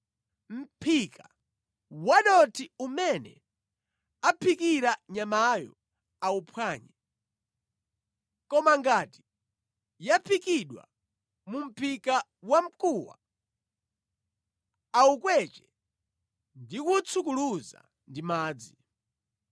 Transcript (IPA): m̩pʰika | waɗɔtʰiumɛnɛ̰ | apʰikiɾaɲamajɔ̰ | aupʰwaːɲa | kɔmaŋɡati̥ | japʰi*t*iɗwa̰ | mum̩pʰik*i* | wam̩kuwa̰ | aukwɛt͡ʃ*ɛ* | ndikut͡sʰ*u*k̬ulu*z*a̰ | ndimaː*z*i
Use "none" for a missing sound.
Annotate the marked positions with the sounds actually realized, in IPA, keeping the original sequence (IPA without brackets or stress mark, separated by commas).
k, a, ɛ, u, z, d͡z